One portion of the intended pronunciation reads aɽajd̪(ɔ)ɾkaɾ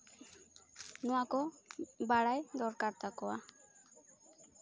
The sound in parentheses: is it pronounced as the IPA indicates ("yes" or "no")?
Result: yes